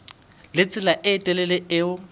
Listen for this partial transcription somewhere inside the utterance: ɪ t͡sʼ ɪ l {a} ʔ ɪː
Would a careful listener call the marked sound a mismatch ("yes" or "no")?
no